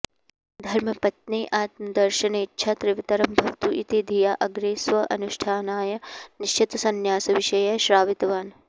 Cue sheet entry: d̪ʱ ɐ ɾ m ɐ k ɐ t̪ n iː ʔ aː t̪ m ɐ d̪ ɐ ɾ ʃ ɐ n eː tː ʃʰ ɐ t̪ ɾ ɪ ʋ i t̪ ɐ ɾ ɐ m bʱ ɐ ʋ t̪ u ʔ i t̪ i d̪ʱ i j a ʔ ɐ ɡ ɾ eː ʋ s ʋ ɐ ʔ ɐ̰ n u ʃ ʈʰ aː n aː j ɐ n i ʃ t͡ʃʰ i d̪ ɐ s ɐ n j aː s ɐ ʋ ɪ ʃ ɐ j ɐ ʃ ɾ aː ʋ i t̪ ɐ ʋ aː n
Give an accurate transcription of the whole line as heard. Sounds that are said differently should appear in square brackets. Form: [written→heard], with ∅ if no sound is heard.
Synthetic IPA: d̪ʱ ɐ ɾ m ɐ [k→p] ɐ t̪ n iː ʔ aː t̪ m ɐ d̪ ɐ ɾ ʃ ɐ n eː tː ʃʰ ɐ t̪ ɾ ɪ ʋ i t̪ ɐ ɾ ɐ m bʱ ɐ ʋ t̪ u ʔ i t̪ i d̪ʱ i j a ʔ ɐ ɡ ɾ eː [ʋ→∅] s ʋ ɐ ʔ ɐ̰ n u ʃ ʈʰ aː n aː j ɐ n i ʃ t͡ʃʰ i [d̪→t̪] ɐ s ɐ n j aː s ɐ ʋ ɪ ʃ ɐ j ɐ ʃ ɾ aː ʋ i t̪ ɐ ʋ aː n